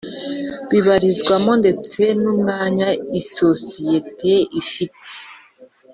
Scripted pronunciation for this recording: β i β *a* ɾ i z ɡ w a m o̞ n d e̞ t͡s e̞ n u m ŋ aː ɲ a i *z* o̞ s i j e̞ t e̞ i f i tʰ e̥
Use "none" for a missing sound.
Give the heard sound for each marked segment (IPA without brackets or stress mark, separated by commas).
a, s